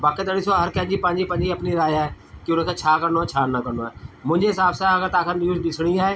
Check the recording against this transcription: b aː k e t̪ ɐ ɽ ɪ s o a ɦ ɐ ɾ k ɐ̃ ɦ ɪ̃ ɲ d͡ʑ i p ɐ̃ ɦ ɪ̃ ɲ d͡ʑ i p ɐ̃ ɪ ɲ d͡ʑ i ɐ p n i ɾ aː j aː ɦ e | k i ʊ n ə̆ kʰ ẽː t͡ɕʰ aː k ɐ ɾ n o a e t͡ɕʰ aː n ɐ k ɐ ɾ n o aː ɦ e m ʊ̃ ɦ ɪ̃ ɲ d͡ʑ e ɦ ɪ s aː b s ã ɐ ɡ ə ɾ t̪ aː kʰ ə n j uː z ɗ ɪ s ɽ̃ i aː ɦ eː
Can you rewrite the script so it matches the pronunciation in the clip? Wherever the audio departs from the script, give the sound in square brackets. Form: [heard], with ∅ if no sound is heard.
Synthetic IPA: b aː k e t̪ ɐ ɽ ɪ s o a ɦ ɐ ɾ k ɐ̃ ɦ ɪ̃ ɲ d͡ʑ i p ɐ̃ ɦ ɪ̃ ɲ d͡ʑ i p ɐ̃ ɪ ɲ d͡ʑ i ɐ p n i ɾ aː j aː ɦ e | k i ʊ n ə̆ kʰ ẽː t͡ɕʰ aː k ɐ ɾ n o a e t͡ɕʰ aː n ɐ k ɐ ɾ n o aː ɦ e m ʊ̃ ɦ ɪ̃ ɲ d͡ʑ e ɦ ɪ s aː b s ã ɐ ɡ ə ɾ t̪ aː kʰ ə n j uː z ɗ ɪ s ɽ̃ i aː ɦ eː